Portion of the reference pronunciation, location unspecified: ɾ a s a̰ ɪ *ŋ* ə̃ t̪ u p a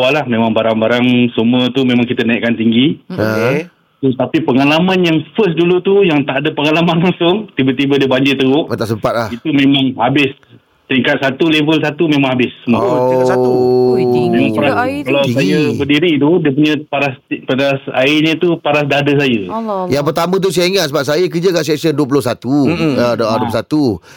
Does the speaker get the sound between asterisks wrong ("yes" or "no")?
yes